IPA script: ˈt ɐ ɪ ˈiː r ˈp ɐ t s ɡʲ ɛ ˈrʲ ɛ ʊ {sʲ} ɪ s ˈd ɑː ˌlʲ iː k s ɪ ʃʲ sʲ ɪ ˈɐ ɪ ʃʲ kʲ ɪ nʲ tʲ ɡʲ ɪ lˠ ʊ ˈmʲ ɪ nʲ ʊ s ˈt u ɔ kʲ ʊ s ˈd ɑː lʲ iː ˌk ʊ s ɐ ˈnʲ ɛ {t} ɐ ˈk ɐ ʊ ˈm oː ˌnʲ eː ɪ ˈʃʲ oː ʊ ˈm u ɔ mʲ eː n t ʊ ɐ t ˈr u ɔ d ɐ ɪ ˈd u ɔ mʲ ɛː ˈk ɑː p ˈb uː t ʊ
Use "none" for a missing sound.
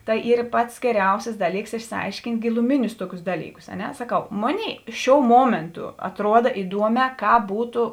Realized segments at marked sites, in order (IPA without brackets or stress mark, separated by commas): sʲ, s